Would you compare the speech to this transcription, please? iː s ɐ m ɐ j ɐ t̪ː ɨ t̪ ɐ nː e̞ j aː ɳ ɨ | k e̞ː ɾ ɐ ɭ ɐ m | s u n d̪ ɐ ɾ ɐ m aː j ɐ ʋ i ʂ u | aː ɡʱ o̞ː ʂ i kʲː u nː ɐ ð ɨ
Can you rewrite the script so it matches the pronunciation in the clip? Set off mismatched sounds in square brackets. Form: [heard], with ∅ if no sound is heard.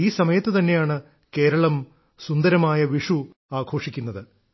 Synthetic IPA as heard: iː s ɐ m ɐ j ɐ t̪ː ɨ t̪ ɐ nː e̞ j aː ɳ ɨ | k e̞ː ɾ ɐ ɭ ɐ m | s u n d̪ ɐ ɾ ɐ m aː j ɐ ʋ i ʂ u | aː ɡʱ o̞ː ʂ i kʲː u nː ɐ ð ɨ